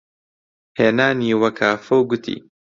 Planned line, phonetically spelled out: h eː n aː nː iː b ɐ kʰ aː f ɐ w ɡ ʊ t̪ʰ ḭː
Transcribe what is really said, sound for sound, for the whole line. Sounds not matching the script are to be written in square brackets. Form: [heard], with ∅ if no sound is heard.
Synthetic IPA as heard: h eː n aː [n] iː [w] ɐ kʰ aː f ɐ w ɡ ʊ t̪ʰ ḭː